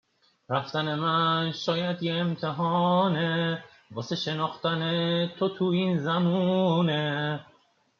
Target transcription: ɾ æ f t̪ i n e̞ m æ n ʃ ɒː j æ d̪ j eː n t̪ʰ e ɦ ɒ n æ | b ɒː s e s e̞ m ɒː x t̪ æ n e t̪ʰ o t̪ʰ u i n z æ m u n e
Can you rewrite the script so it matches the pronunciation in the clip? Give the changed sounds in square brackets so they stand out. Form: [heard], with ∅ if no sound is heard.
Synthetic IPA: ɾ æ f t̪ [æ] n e̞ m æ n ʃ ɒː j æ d̪ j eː [m] t̪ʰ e ɦ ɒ n [e] | b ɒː s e [ʃ] e̞ [n] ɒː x t̪ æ n e t̪ʰ o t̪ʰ u i n z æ m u n e